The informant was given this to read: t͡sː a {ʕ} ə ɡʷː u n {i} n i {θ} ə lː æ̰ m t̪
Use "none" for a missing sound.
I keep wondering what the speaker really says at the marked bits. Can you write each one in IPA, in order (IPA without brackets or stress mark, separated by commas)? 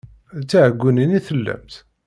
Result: ʕ, i, θ